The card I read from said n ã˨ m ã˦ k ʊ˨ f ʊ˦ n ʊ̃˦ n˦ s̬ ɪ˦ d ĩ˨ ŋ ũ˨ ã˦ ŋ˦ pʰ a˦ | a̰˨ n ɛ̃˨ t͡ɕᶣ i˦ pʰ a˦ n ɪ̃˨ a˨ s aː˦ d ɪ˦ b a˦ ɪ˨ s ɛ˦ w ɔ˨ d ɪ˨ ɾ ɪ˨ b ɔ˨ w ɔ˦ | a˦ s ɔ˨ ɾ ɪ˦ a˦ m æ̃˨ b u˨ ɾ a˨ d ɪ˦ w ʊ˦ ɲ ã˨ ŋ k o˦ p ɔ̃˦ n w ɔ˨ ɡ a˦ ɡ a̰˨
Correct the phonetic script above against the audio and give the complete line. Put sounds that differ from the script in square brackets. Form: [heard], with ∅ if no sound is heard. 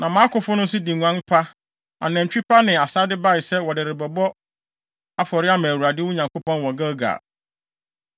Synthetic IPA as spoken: n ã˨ m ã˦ k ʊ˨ f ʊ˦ n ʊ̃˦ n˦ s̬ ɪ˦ d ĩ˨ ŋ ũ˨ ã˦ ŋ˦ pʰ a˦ | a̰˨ n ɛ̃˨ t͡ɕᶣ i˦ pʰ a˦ n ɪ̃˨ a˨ s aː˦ d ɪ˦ b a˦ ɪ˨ s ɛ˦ w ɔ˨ d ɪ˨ ɾ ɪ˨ b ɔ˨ [b] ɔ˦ | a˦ [f] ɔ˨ ɾ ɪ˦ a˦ m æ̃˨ [w] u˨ ɾ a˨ d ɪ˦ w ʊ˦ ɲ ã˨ ŋ k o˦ p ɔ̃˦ n w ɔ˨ ɡ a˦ ɡ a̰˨